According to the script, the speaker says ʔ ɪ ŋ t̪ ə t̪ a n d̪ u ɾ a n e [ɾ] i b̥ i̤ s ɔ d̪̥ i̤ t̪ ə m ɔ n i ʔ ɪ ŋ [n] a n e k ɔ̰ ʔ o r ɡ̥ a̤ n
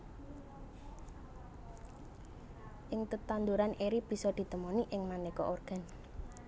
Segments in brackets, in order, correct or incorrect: correct, incorrect

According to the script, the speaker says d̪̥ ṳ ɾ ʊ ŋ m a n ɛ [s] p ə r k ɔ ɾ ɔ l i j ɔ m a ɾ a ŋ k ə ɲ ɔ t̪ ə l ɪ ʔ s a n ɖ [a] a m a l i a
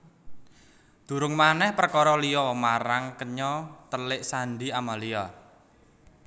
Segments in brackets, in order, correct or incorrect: incorrect, incorrect

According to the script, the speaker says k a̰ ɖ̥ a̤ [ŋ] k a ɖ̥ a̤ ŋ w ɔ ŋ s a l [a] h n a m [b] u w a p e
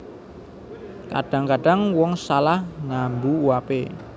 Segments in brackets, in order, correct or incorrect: correct, correct, correct

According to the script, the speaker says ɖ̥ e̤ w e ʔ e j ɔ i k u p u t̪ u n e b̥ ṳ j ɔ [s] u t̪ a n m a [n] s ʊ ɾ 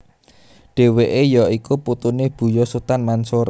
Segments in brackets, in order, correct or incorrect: correct, correct

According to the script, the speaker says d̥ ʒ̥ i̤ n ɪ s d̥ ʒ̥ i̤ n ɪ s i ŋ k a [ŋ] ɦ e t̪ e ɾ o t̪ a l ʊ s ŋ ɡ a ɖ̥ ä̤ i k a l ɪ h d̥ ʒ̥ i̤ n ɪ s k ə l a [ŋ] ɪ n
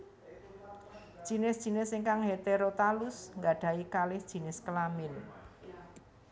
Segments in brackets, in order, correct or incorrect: correct, incorrect

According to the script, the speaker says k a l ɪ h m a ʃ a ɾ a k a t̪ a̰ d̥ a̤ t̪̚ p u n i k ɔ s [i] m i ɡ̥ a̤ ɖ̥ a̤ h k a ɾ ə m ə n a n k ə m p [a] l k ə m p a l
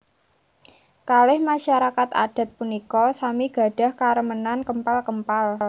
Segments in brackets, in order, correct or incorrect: incorrect, correct

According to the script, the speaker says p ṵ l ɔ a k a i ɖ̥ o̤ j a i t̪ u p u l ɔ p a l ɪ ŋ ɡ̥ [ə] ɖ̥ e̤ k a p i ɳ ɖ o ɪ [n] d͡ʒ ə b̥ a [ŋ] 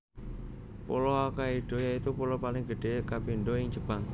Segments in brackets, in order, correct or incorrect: correct, incorrect, correct

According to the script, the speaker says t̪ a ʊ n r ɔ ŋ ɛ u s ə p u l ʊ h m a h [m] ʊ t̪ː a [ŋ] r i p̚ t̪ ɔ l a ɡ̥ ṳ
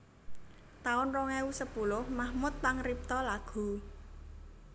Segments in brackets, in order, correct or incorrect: correct, correct

